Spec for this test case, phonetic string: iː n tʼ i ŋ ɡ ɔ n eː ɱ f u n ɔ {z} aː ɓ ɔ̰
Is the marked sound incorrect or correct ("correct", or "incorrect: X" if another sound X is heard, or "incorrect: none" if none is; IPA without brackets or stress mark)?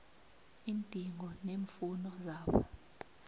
correct